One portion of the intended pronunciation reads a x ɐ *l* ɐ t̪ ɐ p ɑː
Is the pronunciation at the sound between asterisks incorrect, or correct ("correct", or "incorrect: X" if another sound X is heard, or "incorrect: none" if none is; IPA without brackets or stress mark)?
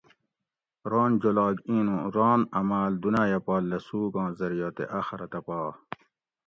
incorrect: ɾ